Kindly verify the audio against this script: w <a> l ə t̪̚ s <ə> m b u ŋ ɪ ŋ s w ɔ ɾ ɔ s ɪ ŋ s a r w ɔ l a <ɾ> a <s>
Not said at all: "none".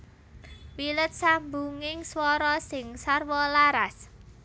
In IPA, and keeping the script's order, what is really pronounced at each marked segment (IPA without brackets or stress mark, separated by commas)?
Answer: i, a, ɾ, s